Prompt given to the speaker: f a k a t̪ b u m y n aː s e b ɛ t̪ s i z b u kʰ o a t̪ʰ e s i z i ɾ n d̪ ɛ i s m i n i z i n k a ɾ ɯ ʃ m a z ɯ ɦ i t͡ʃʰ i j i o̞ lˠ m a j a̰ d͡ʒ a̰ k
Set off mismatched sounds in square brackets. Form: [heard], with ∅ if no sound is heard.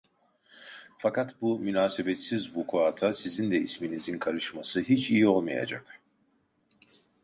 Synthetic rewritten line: f a k a t̪ b u m y n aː s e b ɛ t̪ s i z b u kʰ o a t̪ʰ [a] s i z i [∅] n d̪ ɛ i s m i n i z i n [kʰ] a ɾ ɯ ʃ m a [s] ɯ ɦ i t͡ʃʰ i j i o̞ lˠ m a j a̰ d͡ʒ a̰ k

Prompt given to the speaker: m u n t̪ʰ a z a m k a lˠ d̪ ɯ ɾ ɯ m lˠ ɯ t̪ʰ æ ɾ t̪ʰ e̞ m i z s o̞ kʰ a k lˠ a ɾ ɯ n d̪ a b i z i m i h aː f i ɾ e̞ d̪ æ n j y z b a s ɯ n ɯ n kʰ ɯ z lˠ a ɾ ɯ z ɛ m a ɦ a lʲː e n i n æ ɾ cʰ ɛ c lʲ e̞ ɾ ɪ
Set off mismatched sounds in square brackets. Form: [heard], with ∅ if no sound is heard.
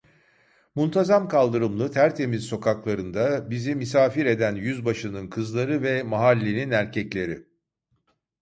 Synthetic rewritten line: m u n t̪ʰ a z a m k a lˠ d̪ ɯ ɾ ɯ m lˠ ɯ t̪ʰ æ ɾ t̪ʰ e̞ m i z s o̞ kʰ a k lˠ a ɾ ɯ n d̪ a b i z i m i [s] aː f i ɾ e̞ d̪ æ n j y z b a [ʃ] ɯ n ɯ n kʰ ɯ z lˠ a ɾ ɯ [v] ɛ m a ɦ a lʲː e n i n æ ɾ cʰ ɛ c lʲ e̞ ɾ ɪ

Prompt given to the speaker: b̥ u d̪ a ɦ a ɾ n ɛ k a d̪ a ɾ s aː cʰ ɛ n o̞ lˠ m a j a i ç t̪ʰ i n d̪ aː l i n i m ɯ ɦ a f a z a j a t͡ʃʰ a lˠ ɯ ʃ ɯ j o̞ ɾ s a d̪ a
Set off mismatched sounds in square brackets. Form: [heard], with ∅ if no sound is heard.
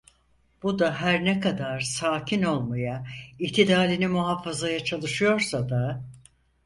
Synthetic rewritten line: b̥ u d̪ a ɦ [æ] ɾ n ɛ k a d̪ a ɾ s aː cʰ [i] n o̞ lˠ m a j a i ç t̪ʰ i [∅] d̪ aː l i n i m [u] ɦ a f a z a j a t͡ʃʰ a lˠ ɯ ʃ ɯ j o̞ ɾ s a d̪ a

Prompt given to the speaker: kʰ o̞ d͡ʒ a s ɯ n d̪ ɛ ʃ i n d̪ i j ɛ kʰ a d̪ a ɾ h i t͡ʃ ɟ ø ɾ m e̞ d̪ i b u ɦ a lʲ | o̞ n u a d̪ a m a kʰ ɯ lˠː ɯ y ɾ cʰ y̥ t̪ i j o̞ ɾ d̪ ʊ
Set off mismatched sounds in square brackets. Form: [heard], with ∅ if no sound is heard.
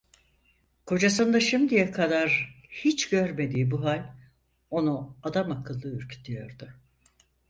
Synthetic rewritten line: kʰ o̞ d͡ʒ a s ɯ n d̪ [a] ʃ i [m] d̪ i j ɛ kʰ a d̪ a ɾ h i t͡ʃ ɟ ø ɾ m e̞ d̪ [iː] b u ɦ a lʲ | o̞ n u a d̪ a m a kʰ ɯ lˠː ɯ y ɾ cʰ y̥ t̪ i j o̞ ɾ d̪ ʊ

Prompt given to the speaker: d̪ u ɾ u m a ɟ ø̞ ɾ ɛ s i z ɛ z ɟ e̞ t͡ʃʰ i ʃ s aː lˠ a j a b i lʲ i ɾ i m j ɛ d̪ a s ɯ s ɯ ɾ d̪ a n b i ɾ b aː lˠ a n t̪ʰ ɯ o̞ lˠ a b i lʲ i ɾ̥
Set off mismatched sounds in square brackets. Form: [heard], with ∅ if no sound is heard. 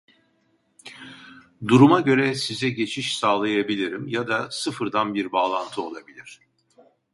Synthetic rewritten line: d̪ u ɾ u m a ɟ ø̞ ɾ ɛ s i z ɛ [∅] ɟ e̞ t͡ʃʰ i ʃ s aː lˠ a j a b i lʲ i ɾ i m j [a] d̪ a s ɯ [f] ɯ ɾ d̪ a n b i ɾ b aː lˠ a n t̪ʰ ɯ o̞ lˠ a b i lʲ i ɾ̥

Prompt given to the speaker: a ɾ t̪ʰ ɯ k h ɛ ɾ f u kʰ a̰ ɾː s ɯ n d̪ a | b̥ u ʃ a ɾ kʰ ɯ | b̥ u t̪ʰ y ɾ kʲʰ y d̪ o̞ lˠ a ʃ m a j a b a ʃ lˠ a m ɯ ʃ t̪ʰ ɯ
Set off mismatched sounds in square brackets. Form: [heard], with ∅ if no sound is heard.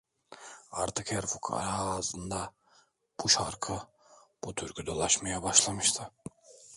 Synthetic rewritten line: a ɾ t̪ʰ ɯ k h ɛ ɾ f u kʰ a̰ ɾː [z] ɯ n d̪ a | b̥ u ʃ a ɾ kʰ ɯ | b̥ u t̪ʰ y ɾ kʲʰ y d̪ o̞ lˠ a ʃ m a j a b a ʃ lˠ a m ɯ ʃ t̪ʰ ɯ

